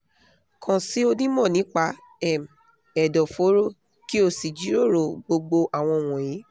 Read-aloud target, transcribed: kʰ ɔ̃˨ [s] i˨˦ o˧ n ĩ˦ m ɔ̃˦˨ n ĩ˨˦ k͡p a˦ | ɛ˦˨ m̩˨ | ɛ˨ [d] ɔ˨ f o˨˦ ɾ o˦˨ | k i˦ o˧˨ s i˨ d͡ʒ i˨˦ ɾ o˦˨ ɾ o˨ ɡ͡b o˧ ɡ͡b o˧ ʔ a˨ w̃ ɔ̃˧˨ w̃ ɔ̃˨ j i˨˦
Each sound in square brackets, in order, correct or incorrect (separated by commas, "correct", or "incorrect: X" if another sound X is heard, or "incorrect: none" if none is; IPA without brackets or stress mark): correct, correct